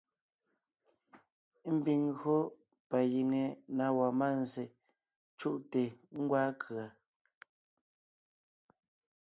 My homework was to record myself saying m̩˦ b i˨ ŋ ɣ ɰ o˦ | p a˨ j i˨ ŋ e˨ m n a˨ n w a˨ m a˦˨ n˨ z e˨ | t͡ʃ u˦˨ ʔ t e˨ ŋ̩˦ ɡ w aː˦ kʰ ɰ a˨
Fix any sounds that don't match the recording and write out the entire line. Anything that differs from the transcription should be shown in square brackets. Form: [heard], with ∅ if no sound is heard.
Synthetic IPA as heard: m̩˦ b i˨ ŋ ɣ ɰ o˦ | p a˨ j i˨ ŋ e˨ [∅] n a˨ [∅] w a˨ m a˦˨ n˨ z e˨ | t͡ʃ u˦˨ ʔ t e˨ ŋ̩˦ ɡ w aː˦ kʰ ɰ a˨